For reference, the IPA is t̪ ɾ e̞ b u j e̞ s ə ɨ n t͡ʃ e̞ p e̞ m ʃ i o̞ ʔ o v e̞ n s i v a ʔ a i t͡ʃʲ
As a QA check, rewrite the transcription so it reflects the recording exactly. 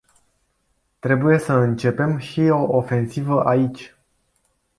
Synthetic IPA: t̪ ɾ e̞ b u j e̞ s ə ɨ n t͡ʃ e̞ p e̞ m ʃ i o̞ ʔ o f e̞ n s i v ə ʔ a i t͡ʃʲ